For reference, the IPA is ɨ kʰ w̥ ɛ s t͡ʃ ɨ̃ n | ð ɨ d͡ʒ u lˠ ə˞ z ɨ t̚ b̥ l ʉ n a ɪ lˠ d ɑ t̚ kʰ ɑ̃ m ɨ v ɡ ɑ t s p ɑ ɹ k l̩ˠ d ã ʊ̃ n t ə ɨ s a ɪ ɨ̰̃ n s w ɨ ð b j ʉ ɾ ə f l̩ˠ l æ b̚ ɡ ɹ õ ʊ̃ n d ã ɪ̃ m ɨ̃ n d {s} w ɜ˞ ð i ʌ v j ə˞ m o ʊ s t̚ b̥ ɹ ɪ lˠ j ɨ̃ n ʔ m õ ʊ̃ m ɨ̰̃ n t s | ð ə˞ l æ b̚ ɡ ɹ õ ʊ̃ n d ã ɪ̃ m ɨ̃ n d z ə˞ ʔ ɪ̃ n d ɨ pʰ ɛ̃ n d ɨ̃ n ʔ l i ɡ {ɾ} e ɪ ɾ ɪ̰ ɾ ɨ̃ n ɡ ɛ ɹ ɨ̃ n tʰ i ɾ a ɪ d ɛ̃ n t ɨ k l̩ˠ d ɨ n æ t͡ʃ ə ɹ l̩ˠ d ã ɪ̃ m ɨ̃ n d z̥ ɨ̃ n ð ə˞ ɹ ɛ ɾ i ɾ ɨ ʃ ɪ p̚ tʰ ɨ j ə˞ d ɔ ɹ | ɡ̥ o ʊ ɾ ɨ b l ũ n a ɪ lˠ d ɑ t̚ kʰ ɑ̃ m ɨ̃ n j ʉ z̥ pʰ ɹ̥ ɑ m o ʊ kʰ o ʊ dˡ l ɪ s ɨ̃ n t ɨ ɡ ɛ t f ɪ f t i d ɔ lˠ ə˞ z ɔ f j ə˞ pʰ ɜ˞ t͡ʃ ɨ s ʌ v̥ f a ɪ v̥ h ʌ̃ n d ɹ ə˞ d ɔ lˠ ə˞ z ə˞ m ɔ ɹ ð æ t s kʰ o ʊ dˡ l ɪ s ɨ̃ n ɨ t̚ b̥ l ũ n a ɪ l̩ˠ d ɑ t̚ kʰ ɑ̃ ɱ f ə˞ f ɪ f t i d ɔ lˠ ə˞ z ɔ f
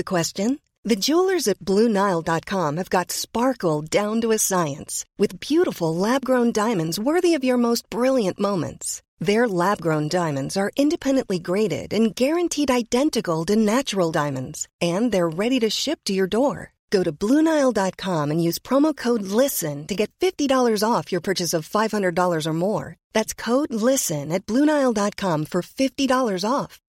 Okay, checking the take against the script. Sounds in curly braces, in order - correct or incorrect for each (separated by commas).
incorrect, incorrect